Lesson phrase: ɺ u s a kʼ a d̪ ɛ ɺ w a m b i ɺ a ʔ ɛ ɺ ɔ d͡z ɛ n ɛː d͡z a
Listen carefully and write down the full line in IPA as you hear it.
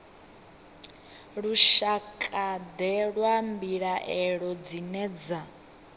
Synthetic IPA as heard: ɺ u ʃ a kʼ a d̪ ɛ ɺ w a m b i ɺ a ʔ ɛ ɺ ɔ d͡z i n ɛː d͡z a